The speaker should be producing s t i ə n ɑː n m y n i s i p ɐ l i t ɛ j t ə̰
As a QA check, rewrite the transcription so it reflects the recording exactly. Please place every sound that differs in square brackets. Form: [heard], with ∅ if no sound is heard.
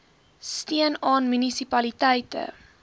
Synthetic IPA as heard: s t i ə n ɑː n m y n i s i p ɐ l i t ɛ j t ə̰